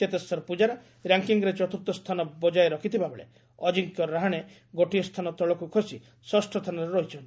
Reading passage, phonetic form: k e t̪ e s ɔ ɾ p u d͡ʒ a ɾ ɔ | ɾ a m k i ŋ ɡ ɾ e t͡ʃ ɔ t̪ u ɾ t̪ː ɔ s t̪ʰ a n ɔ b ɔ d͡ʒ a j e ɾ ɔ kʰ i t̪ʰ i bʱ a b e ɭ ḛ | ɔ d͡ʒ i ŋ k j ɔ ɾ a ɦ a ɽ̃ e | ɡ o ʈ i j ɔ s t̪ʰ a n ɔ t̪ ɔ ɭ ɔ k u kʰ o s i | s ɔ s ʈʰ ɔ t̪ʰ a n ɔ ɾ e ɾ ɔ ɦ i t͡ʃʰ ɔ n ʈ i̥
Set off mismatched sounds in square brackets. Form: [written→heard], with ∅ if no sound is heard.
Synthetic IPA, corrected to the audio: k e t̪ e s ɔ ɾ p u d͡ʒ a ɾ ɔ | ɾ a [m→ŋ] k i ŋ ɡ ɾ e t͡ʃ ɔ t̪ u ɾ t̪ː ɔ s t̪ʰ a n ɔ b ɔ d͡ʒ a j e ɾ ɔ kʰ i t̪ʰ i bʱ a b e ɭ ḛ | ɔ d͡ʒ i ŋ k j ɔ ɾ a ɦ a ɽ̃ e | ɡ o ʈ i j ɔ s t̪ʰ a n ɔ t̪ ɔ ɭ ɔ k u kʰ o s i | s ɔ s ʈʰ ɔ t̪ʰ a n ɔ ɾ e ɾ ɔ ɦ i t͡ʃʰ ɔ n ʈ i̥